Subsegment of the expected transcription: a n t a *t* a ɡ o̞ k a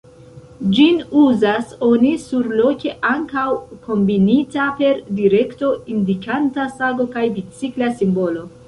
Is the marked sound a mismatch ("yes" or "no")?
yes